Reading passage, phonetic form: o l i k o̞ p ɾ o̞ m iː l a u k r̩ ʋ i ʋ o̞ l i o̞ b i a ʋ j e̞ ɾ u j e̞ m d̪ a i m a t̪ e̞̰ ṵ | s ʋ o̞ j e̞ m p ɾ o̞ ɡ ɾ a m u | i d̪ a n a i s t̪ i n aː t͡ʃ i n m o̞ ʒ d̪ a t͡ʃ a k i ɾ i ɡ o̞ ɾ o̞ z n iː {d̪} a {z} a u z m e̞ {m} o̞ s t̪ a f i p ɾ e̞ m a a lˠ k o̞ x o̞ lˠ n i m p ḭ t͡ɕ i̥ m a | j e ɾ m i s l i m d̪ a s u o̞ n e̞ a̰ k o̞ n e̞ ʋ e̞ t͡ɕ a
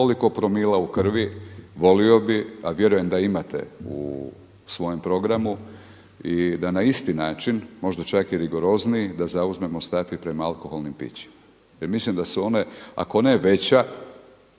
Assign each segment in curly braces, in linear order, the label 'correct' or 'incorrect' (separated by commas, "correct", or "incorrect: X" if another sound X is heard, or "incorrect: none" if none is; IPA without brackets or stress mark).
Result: correct, correct, correct